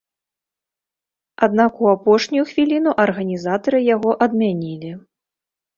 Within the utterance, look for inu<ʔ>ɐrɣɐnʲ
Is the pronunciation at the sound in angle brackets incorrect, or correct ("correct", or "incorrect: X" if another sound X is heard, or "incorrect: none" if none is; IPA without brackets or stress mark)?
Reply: correct